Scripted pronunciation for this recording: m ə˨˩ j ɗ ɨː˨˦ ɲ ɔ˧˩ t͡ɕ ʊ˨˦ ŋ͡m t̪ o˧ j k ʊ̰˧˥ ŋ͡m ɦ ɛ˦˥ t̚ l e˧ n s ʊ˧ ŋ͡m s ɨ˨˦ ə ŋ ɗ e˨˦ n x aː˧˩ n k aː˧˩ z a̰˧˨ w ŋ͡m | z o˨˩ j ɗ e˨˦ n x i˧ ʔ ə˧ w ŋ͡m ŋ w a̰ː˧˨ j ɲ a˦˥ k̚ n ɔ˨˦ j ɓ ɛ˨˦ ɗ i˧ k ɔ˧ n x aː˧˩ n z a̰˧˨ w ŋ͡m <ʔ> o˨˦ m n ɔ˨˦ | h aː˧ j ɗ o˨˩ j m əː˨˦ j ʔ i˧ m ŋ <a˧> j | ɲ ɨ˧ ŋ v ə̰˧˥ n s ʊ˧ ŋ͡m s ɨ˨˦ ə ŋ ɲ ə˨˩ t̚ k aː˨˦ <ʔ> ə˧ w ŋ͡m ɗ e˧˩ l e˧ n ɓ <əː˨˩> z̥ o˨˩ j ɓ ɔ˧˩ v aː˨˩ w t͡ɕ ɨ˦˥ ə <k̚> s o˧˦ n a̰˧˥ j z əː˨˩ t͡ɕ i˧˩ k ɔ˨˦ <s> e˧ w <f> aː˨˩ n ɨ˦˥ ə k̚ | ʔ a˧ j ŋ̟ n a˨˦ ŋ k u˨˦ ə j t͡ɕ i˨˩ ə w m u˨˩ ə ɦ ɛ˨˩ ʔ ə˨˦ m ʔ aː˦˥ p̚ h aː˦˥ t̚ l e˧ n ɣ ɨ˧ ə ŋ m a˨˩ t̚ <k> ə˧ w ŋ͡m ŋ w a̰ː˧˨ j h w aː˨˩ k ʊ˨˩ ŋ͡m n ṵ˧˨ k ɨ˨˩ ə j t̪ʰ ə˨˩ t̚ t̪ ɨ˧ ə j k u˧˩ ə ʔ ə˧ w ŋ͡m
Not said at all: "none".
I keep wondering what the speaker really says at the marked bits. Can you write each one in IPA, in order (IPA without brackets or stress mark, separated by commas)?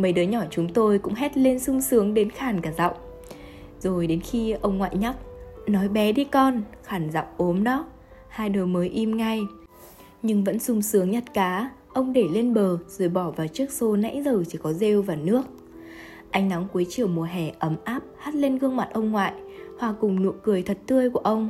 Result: ʔ, a˧, ʔ, əː˨˩, k̚, z, v, ʔ